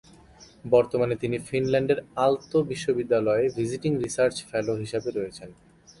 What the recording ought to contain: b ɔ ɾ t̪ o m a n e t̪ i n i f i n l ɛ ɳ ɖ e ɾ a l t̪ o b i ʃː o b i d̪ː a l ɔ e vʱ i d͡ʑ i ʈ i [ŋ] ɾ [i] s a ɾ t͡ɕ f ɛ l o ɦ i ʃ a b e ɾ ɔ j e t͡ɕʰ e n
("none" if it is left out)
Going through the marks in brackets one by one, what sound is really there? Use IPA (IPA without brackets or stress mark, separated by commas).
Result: ŋ, i